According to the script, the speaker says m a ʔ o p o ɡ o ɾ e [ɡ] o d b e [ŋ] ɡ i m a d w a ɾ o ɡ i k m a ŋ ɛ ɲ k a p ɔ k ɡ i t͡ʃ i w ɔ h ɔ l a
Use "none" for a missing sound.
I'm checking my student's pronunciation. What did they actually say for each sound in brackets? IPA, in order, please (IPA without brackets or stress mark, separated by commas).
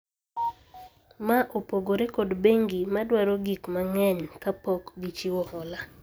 k, ŋ